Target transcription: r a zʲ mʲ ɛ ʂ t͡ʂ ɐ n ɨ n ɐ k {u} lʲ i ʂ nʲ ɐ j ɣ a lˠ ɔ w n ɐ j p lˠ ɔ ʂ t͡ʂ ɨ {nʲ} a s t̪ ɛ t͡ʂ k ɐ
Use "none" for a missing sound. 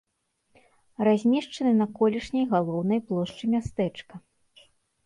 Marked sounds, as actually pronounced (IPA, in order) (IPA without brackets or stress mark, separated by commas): ɔ, mʲ